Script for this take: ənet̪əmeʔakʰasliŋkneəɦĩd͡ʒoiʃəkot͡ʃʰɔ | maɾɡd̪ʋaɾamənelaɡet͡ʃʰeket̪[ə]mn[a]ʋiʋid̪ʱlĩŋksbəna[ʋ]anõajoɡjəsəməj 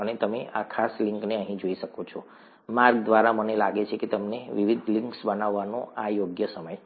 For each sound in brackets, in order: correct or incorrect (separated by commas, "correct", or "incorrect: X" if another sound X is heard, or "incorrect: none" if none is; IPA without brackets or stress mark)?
correct, incorrect: e, incorrect: ʋː